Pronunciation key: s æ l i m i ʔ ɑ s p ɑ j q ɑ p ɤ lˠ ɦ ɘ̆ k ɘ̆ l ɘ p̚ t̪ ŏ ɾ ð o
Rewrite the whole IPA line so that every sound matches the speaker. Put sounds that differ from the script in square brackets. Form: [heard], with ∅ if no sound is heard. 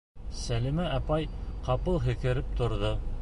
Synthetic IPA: s æ l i m [æ] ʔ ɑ [∅] p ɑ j q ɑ p ɤ lˠ ɦ ɘ̆ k ɘ̆ [ɾ] ɘ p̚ t̪ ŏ ɾ ð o